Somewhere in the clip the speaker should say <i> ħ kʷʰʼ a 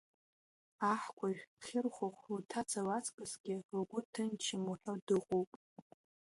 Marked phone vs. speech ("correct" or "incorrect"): incorrect